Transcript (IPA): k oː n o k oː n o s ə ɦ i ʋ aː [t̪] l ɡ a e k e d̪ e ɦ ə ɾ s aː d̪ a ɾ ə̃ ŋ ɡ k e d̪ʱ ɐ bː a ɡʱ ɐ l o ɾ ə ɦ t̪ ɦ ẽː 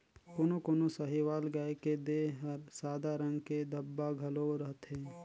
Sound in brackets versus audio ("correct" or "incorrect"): incorrect